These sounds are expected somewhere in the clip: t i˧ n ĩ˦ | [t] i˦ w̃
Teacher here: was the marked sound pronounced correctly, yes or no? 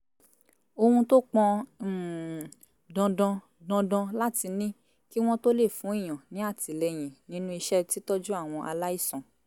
no